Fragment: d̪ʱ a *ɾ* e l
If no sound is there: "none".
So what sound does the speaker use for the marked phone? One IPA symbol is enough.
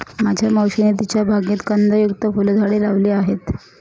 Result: ɽ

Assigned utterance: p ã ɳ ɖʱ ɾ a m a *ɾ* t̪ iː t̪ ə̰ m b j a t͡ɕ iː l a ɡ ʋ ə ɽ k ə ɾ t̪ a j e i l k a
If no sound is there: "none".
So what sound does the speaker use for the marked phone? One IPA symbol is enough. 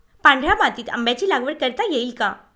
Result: none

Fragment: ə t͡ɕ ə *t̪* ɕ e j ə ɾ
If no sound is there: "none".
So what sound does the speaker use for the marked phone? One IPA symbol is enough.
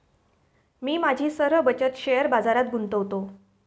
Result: t̪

